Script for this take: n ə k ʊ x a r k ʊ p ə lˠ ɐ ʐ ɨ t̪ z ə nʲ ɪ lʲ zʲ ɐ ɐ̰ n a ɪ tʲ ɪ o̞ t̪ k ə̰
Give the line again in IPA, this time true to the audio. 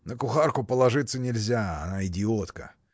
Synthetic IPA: n ə k ʊ x a r k ʊ p ə lˠ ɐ ʐ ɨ t̪ s ə nʲ ɪ lʲ zʲ a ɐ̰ n a ɪ dʲ ɪ o̞ t̪ k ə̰